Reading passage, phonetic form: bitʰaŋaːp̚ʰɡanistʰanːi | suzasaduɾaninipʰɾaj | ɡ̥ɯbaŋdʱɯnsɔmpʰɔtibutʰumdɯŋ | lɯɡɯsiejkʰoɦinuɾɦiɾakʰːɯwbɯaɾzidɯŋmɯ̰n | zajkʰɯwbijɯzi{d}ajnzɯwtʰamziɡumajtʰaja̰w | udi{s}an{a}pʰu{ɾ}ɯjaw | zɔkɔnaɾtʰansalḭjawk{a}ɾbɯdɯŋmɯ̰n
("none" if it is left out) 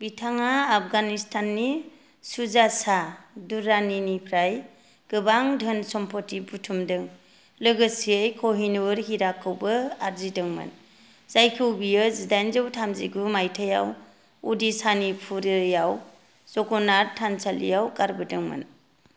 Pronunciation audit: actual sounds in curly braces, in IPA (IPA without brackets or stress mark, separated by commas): d, s, i, ɾ, a